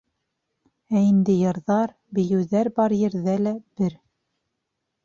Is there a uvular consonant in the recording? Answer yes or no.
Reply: no